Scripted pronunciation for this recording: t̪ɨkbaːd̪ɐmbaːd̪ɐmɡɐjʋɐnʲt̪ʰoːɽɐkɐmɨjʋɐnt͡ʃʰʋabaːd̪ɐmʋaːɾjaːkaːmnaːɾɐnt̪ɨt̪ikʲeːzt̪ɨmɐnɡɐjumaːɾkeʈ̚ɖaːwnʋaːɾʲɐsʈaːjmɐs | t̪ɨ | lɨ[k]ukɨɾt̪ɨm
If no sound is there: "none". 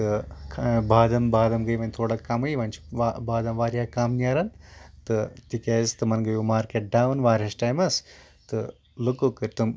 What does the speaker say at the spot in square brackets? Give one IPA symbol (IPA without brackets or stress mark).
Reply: k